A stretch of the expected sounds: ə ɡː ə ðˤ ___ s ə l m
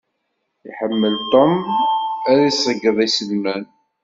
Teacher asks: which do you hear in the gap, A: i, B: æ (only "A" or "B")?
A